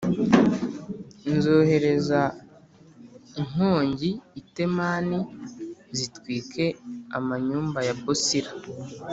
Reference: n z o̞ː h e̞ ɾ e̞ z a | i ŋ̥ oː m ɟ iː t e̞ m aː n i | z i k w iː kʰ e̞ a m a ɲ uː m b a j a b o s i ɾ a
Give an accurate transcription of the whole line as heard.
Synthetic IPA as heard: n z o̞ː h e̞ ɾ e̞ z a | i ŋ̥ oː ɲ ɟ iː t e̞ m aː n i | z i t w iː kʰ e̞ a m a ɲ uː m b a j a b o s i ɾ a